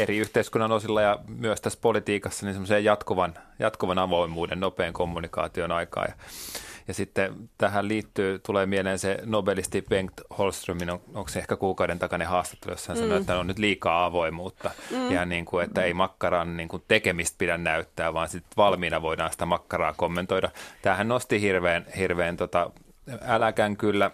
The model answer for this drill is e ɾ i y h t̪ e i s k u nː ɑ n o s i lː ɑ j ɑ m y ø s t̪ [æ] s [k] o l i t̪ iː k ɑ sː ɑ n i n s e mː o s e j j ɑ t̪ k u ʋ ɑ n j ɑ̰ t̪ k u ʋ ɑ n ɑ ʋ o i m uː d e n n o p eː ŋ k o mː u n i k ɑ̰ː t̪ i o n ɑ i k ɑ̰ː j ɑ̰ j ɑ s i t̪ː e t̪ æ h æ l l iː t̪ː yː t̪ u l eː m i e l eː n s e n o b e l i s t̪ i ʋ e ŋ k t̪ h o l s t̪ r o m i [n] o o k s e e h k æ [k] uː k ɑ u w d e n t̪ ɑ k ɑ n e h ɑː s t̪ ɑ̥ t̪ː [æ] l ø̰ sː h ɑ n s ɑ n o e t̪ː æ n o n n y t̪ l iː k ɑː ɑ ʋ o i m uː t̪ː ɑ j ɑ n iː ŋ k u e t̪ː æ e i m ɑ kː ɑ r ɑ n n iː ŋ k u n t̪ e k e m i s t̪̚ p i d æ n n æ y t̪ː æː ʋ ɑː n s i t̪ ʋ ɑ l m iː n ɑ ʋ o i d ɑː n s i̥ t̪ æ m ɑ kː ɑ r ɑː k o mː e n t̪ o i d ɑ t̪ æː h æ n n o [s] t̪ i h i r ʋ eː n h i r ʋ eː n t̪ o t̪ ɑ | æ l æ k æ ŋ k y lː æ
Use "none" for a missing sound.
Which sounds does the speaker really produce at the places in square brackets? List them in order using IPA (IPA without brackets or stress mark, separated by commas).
æ, p, n, k, e, s